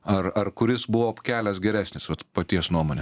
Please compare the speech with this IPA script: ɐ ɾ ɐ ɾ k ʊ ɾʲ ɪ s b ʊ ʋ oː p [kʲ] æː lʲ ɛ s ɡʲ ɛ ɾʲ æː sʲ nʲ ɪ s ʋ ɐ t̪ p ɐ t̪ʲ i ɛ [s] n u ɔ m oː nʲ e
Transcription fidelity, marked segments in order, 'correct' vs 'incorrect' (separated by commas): correct, correct